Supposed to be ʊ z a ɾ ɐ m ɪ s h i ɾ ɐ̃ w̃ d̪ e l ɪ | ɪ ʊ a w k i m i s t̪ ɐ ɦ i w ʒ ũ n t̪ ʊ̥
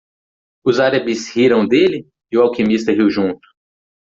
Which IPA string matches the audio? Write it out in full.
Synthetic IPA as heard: ʊ z a ɾ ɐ b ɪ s h i ɾ ɐ̃ w̃ d̪ e l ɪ | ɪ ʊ a w k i m i s t̪ ɐ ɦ i w ʒ ũ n t̪ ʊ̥

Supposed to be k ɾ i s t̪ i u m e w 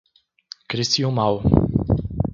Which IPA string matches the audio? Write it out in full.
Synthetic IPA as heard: k ɾ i s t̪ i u m a w

